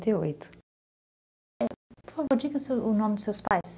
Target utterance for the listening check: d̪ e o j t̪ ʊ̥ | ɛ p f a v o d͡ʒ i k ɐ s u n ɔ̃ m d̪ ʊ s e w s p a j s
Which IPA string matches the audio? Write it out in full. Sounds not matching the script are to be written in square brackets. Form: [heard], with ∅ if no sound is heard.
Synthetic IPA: [t̪] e o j t̪ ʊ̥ | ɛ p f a v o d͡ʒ i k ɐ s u n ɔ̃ m d̪ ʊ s e w s p a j s